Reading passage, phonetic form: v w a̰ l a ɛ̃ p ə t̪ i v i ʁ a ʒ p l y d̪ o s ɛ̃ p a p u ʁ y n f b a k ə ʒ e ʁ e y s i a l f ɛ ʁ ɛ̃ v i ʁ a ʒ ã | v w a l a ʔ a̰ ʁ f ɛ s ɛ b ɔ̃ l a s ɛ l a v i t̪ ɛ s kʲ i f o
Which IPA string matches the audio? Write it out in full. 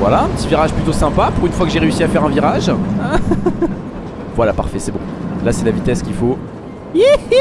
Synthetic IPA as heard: v w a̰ l a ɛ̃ p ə t̪ i v i ʁ a ʒ p l y t̪ o s ɛ̃ p a p u ʁ y n f w a k ə ʒ e ʁ e y s i a f ɛ ʁ ɛ̃ v i ʁ a ʒ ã | v w a l a p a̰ ʁ f ɛ s ɛ b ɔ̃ l a s ɛ l a v i t̪ ɛ s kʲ i f o